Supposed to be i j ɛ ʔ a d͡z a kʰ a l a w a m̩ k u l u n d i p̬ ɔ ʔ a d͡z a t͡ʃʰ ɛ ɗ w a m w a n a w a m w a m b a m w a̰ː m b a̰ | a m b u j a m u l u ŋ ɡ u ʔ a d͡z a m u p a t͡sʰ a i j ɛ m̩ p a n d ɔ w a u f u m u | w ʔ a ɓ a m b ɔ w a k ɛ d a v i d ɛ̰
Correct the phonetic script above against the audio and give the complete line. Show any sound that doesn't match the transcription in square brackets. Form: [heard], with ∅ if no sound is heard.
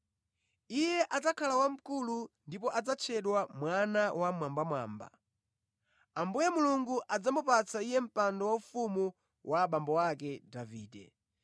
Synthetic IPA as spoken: i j ɛ ʔ a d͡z a kʰ a l a w a m̩ k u l u n d i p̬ ɔ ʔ a d͡z a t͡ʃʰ ɛ ɗ w a m w a n a w a m w a m b a m w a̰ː m b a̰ | a m b u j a m u l u ŋ ɡ u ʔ a d͡z a m u p a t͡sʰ a i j ɛ m̩ p a n d ɔ w a u f u m u | w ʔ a ɓ a m b ɔ w a k ɛ d a v [iː] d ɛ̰